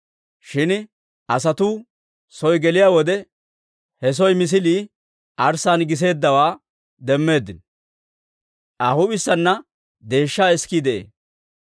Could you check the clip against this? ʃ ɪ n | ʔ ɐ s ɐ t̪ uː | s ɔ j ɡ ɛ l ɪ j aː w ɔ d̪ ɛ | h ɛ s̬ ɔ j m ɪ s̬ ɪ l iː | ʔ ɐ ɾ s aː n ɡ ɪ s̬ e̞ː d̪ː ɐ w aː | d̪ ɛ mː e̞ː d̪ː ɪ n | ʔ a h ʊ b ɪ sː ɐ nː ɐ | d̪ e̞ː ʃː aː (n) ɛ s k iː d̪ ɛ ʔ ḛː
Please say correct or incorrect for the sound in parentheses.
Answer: incorrect: none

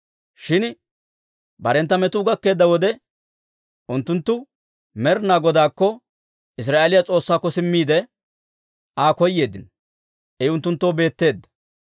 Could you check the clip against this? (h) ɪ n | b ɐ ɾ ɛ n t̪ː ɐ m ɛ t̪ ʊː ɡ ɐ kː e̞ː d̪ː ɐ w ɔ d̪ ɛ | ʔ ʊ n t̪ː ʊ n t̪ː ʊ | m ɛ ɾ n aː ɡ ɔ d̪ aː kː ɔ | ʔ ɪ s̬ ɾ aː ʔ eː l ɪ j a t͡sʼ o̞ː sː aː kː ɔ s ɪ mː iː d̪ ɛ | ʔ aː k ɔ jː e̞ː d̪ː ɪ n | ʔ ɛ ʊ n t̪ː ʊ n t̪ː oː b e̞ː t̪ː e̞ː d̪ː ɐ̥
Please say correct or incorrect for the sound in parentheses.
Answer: incorrect: ʃ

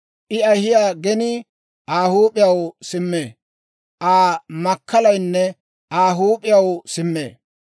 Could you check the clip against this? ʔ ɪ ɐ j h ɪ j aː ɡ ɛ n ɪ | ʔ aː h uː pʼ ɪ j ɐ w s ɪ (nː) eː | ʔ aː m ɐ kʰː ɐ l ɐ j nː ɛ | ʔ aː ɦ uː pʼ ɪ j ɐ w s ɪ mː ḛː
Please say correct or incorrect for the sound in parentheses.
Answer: incorrect: mː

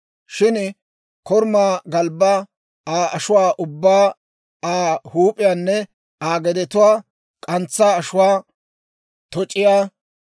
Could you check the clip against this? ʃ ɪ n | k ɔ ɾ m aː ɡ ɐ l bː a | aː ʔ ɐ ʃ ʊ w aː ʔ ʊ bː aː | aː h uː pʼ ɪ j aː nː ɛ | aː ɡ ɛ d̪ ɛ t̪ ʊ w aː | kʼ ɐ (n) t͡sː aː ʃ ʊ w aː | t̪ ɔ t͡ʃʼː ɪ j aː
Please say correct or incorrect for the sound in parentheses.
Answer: correct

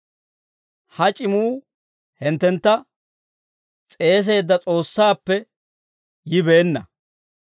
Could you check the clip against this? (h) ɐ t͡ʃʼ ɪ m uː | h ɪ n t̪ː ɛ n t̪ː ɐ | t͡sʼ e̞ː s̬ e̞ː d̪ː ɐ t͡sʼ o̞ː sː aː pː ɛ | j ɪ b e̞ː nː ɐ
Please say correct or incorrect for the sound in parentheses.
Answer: correct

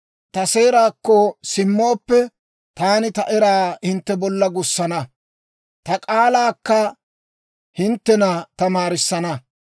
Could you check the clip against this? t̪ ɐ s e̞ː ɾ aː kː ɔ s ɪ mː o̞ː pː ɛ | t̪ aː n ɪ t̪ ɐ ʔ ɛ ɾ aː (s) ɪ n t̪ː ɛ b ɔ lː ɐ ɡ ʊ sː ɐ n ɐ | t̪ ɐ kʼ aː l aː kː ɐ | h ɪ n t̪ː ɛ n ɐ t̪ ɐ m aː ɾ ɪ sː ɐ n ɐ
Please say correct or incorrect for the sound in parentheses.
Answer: incorrect: h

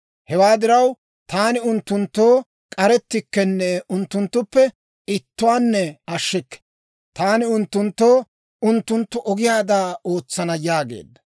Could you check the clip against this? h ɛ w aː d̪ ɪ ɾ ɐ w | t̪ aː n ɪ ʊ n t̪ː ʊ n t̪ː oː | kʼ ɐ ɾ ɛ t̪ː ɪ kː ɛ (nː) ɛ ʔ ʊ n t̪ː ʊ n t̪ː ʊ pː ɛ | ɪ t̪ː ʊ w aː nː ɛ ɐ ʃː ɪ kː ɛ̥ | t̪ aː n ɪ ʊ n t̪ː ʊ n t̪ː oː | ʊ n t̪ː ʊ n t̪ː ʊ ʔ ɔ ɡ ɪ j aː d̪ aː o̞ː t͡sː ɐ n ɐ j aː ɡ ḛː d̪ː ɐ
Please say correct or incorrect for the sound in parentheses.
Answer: correct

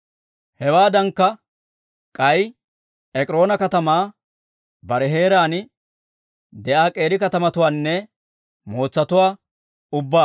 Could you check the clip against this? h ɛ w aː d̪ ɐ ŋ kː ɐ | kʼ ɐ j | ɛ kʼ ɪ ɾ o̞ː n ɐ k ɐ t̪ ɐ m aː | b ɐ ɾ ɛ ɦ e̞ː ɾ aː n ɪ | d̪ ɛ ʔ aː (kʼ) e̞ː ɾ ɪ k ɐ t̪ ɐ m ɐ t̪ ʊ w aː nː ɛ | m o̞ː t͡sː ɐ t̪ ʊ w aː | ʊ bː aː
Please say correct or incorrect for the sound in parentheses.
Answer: correct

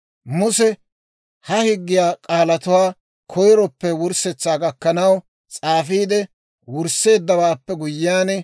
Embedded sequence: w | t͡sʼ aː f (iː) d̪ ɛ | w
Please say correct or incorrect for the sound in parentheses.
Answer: correct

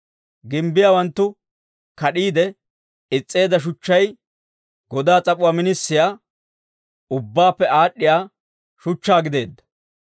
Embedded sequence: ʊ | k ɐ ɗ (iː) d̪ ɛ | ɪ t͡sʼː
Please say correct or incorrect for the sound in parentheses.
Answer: correct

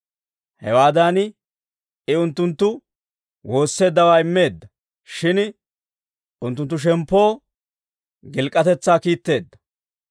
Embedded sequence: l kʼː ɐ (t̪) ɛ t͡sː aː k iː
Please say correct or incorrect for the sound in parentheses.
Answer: correct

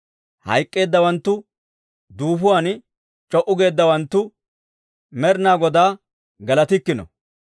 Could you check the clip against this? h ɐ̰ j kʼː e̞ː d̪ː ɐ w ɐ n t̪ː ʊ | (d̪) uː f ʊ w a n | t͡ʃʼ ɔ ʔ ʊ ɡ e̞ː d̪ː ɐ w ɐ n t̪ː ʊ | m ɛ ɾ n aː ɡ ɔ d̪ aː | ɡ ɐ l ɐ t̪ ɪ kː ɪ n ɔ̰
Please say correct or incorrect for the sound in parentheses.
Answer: correct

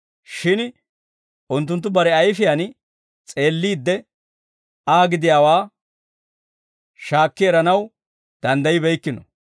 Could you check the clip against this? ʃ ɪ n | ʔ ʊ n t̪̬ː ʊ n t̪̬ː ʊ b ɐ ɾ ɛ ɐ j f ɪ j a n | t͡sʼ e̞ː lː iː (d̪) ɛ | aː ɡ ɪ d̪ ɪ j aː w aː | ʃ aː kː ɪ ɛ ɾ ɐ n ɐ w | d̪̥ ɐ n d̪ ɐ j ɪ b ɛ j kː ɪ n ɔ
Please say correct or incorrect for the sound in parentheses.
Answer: incorrect: d̪ː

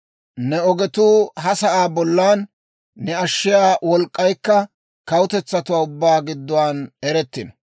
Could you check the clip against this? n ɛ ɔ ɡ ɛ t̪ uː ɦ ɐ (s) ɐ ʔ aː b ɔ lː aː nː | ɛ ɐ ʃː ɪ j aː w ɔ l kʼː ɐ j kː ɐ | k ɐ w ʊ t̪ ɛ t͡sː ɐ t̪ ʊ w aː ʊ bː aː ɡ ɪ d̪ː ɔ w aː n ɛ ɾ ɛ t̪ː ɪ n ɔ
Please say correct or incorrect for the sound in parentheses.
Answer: correct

